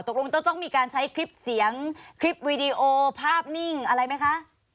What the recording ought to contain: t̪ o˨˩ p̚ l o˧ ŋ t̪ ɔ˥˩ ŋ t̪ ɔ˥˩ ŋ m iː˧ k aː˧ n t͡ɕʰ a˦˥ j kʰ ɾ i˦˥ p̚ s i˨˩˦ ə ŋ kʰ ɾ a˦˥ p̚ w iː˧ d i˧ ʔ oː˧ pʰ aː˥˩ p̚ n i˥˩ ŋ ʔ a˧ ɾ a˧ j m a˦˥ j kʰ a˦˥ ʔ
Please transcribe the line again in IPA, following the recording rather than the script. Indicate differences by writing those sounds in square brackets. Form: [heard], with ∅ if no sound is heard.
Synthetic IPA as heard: t̪ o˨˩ [k̚] l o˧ ŋ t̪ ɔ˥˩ ŋ t̪ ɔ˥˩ ŋ m iː˧ k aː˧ n t͡ɕʰ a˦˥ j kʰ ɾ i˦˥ p̚ s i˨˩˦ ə ŋ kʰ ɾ [i˦˥] p̚ w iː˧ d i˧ ʔ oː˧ pʰ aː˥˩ p̚ n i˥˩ ŋ ʔ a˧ ɾ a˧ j m a˦˥ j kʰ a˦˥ ʔ